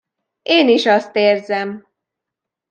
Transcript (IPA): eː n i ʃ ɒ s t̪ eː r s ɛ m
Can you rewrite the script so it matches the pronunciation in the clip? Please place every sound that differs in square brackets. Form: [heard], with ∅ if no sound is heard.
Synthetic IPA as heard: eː n i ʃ ɒ s t̪ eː r [z] ɛ m